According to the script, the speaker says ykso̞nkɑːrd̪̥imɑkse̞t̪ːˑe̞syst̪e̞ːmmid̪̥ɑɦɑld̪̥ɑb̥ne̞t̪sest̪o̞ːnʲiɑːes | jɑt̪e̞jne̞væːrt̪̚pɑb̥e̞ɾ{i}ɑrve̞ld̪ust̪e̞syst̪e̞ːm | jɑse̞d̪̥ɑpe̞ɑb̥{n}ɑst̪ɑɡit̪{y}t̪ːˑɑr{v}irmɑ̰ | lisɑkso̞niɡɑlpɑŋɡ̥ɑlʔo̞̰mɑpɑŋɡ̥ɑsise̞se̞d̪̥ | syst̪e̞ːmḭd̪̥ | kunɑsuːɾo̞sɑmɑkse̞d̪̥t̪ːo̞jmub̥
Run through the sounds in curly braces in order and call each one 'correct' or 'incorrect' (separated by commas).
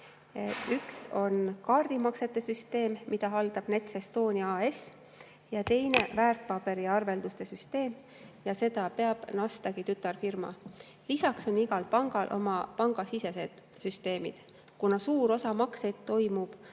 correct, correct, correct, incorrect